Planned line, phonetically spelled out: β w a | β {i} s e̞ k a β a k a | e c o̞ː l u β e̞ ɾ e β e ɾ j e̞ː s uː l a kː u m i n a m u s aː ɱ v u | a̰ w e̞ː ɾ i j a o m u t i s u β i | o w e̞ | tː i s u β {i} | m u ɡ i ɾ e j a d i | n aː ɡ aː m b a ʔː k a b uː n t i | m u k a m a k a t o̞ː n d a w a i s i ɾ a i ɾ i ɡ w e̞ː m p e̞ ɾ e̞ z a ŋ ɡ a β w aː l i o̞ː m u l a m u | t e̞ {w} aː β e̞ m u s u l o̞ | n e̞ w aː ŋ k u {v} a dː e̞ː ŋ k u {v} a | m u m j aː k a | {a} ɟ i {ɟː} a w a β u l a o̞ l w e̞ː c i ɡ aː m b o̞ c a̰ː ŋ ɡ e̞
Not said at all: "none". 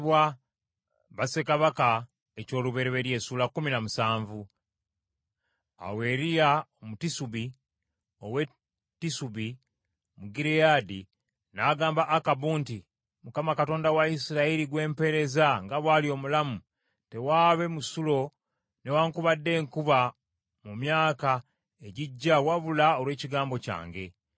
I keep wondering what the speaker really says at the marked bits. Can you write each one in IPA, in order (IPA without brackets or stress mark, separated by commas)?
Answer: a, i, w, β, β, e, ɟː